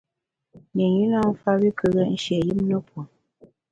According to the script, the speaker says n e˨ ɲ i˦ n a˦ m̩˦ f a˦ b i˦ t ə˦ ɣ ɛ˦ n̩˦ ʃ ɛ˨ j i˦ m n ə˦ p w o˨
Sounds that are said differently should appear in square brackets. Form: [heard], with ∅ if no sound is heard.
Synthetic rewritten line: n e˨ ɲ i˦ n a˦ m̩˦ f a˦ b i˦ [k] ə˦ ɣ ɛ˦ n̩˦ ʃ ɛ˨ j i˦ m n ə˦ p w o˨